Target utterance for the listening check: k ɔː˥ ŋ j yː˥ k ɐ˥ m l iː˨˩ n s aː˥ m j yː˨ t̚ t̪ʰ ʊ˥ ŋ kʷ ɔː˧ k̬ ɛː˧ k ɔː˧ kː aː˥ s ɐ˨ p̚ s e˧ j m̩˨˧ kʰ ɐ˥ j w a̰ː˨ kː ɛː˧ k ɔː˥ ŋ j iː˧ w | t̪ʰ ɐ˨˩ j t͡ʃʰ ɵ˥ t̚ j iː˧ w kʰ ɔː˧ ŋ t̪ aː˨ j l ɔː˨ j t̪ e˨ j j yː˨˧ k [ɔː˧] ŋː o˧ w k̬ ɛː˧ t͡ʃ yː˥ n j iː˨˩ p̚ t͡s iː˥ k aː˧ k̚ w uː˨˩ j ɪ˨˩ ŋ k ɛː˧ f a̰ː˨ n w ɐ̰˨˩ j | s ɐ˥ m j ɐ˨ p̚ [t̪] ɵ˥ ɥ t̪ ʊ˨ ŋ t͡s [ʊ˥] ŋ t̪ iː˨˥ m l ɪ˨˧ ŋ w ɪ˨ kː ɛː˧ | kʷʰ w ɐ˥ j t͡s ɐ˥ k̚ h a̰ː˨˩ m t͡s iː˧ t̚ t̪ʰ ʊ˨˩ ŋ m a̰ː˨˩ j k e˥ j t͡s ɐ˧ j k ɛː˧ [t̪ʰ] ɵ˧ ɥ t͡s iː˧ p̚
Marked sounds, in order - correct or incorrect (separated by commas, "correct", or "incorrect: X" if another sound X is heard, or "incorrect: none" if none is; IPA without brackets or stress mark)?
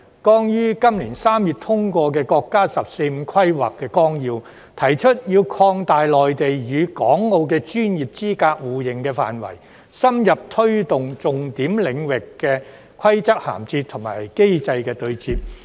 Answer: incorrect: ɔː˨˥, incorrect: t̪ʰ, incorrect: ʊ˨˩, incorrect: t̪